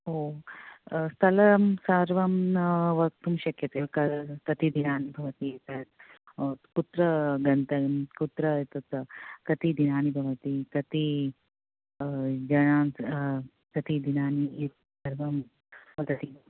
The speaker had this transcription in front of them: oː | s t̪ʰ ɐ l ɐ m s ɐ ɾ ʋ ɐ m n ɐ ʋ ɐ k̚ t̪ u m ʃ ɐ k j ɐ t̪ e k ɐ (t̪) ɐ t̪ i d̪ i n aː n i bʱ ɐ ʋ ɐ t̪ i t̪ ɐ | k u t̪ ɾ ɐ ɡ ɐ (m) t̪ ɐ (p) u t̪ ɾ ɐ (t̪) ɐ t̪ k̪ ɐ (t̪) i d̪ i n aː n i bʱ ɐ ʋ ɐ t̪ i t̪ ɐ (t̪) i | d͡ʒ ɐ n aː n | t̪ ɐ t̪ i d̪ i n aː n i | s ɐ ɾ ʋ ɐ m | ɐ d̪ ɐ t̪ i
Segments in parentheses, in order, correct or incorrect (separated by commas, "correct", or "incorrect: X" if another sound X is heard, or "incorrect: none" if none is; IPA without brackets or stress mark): correct, incorrect: n, incorrect: k, correct, correct, correct